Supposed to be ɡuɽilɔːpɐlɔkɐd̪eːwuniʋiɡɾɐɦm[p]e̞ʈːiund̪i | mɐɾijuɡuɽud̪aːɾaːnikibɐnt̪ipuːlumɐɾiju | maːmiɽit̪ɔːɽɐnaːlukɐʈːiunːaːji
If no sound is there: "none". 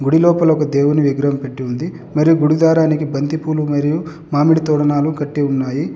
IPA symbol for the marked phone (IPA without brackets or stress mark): p